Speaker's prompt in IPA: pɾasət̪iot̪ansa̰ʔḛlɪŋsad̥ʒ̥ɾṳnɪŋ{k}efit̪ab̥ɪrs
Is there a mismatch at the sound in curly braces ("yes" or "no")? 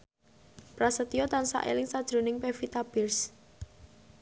yes